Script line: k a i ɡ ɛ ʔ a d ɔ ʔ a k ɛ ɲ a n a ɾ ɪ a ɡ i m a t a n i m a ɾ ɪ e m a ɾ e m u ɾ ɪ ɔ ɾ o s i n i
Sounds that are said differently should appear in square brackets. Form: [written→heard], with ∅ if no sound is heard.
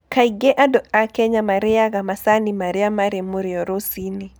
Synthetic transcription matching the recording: k a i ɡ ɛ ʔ a d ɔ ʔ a k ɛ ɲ a [n→m] a ɾ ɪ a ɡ [i→a] m a [t→s] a n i m a ɾ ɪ [e→a] m a ɾ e m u ɾ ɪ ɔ ɾ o s i n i